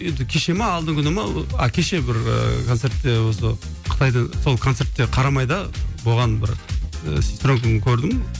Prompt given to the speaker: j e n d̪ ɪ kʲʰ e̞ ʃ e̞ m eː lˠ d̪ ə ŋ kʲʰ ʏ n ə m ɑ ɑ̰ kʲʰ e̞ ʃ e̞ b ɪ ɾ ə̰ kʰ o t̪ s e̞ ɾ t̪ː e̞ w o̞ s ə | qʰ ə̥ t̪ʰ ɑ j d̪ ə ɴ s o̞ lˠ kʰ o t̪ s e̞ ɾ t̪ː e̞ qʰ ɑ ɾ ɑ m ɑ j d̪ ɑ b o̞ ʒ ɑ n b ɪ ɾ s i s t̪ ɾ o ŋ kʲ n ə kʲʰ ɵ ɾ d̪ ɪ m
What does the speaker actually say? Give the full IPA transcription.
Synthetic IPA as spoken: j e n d̪ ɪ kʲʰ e̞ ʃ e̞ m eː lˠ d̪ ə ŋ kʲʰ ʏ n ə m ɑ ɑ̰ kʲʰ e̞ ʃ e̞ b ɪ ɾ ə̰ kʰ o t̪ s e̞ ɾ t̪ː e̞ w o̞ s ə | qʰ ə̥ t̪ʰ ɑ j d̪ ə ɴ s o̞ lˠ kʰ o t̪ s e̞ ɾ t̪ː e̞ qʰ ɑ ɾ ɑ m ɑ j d̪ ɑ b o̞ ʁ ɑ n b ɪ ɾ s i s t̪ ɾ o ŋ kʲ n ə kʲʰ ɵ ɾ d̪ ɪ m